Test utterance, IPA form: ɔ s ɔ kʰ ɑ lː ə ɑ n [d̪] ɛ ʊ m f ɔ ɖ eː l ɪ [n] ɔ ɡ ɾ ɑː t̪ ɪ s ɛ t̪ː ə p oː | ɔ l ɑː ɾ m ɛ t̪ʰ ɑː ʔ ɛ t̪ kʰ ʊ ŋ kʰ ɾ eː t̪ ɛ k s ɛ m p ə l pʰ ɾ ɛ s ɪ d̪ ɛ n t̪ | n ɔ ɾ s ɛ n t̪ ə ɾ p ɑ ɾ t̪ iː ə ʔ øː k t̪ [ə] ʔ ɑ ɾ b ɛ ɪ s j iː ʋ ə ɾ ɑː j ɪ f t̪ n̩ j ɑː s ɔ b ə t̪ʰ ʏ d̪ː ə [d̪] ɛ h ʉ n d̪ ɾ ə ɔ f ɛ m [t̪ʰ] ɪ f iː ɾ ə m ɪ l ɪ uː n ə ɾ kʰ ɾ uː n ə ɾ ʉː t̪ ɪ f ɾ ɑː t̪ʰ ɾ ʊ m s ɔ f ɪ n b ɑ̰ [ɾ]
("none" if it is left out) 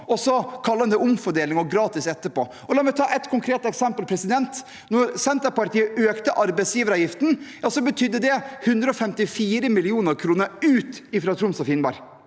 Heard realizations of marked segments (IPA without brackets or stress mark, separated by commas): d̪, ŋ, ə, d̪, t̪, ɾ